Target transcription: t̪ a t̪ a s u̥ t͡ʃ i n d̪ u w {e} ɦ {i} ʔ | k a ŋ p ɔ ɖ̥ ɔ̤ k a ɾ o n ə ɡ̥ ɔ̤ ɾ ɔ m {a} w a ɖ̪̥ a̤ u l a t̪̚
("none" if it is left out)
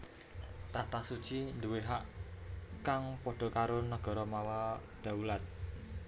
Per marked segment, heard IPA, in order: e, a, a

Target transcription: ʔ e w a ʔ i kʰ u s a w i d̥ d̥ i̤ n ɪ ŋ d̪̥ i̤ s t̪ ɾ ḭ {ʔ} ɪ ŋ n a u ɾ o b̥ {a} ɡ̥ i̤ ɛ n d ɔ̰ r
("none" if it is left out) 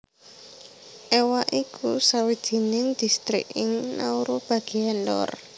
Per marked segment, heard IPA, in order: k, a

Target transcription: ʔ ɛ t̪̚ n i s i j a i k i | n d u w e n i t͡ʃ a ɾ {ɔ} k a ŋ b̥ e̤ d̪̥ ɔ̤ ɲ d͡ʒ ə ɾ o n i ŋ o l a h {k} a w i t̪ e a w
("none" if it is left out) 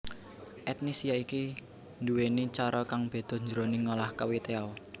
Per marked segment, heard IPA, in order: ɔ, k

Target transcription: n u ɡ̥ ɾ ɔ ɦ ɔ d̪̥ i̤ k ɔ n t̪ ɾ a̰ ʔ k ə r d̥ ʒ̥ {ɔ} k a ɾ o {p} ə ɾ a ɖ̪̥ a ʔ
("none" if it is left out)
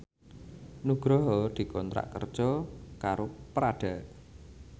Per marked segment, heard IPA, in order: ɔ, p

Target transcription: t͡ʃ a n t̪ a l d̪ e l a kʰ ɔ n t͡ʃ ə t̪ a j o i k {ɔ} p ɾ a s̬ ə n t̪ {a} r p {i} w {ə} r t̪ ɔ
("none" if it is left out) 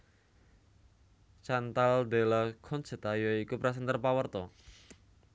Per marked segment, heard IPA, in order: u, ə, a, ə

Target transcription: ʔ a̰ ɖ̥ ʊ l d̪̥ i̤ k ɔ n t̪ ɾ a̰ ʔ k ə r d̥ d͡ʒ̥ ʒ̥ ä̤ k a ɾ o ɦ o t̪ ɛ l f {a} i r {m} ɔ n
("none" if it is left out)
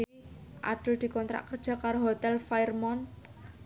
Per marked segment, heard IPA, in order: a, m

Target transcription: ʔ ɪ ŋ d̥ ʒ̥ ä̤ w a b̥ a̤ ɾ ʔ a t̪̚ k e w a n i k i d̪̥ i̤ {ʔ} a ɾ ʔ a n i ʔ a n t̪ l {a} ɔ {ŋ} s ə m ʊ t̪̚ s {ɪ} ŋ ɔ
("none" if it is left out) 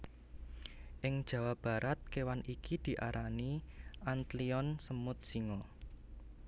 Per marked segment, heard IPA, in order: ʔ, i, n, i

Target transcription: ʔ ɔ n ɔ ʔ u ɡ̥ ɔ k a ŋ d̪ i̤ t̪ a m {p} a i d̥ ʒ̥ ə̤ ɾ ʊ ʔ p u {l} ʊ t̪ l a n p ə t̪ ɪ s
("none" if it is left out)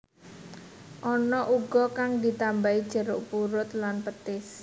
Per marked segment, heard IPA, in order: b, ɾ

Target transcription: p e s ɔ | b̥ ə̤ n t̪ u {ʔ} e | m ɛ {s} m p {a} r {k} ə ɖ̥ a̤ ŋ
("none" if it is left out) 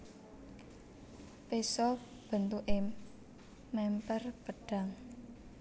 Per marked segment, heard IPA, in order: ʔ, none, ə, p

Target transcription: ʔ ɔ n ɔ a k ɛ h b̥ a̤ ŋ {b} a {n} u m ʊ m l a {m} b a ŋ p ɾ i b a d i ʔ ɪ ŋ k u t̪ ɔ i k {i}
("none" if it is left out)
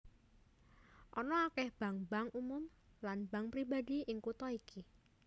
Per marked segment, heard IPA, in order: b, ŋ, n, i

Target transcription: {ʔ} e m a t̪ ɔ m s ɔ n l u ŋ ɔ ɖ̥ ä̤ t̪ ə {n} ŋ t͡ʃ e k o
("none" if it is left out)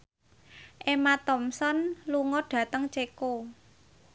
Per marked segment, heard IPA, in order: ʔ, none

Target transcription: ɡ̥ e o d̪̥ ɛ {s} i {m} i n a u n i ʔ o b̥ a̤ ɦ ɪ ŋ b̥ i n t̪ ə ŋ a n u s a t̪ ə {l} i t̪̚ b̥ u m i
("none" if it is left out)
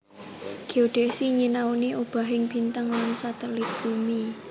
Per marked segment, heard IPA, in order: s, ɲ, l

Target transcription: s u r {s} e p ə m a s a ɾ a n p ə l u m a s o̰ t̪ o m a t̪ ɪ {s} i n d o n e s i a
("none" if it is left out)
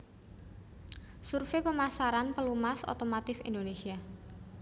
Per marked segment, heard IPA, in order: f, f

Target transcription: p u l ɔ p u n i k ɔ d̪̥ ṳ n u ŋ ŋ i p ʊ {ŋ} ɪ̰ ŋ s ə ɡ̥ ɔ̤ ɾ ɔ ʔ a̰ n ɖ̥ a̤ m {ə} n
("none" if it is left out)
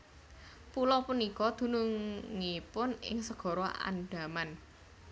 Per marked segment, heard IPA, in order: n, a

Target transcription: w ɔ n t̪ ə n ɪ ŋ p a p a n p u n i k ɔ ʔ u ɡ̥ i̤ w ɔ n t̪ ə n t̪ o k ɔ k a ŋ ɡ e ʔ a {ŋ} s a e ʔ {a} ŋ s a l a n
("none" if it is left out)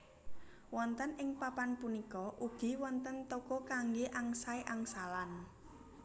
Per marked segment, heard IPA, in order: ŋ, a

